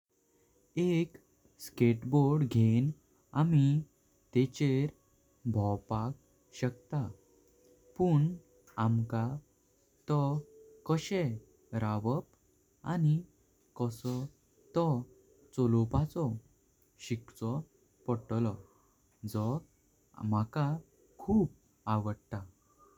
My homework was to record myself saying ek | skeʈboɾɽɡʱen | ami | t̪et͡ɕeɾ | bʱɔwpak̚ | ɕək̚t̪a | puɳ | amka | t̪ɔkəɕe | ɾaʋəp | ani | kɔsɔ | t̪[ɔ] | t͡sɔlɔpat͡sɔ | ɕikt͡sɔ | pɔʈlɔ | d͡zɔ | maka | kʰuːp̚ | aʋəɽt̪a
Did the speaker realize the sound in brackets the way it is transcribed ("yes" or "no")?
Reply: yes